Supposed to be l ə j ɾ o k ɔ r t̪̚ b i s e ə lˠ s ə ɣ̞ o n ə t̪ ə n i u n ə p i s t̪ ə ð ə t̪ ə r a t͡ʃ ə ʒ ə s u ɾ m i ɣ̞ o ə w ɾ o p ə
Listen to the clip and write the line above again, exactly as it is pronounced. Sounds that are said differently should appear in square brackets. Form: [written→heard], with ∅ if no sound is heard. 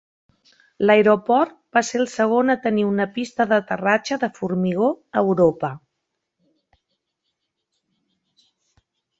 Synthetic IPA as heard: l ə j ɾ o [k→p] ɔ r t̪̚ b [i→a] s e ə lˠ s ə ɣ̞ o n ə t̪ ə n i u n ə p i s t̪ ə ð ə t̪ ə r a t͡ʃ ə [ʒ→ð] ə [s→f] u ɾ m i ɣ̞ o ə w ɾ o p ə